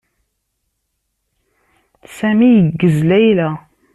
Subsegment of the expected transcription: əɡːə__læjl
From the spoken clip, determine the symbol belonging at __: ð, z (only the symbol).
z